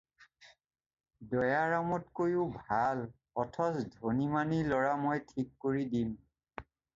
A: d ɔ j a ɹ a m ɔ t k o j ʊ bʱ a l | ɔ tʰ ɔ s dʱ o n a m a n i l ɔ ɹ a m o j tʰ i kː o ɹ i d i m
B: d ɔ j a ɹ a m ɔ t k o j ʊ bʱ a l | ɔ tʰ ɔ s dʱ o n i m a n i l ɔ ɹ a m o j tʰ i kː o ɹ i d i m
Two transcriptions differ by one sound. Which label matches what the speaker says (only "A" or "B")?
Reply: B